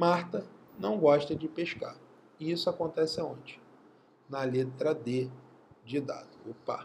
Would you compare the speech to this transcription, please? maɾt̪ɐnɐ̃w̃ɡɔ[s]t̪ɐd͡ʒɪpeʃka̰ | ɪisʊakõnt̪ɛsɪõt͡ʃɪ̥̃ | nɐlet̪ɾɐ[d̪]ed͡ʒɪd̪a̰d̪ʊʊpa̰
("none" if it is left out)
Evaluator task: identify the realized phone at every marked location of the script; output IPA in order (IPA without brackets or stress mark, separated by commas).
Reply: ʃ, d̪